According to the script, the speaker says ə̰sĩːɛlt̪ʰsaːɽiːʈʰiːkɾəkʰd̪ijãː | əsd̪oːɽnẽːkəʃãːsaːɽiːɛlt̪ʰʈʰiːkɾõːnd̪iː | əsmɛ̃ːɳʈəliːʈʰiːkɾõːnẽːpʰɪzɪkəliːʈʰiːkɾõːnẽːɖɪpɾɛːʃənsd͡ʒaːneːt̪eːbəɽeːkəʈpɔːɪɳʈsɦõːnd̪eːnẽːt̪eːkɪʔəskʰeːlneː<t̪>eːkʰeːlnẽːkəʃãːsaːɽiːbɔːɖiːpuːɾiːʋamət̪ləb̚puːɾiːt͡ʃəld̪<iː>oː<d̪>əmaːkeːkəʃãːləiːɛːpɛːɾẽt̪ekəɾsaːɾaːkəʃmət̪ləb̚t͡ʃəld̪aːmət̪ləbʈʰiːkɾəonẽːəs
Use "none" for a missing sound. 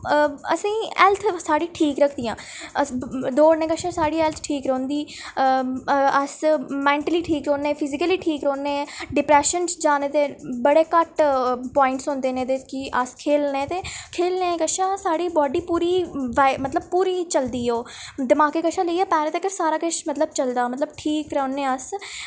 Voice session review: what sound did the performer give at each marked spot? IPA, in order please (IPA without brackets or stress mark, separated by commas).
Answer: t̪, iː, d̪